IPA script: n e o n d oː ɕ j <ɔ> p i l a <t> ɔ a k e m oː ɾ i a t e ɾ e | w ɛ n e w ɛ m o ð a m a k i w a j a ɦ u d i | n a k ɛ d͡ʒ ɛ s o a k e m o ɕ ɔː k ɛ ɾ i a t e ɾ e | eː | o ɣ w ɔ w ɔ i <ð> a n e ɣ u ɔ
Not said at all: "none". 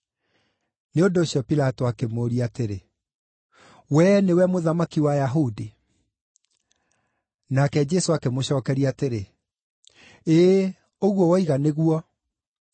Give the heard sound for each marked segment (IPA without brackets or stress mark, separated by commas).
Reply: ɔ, t, ɣ